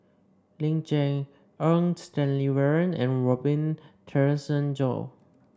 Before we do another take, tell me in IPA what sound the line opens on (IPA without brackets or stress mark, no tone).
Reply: l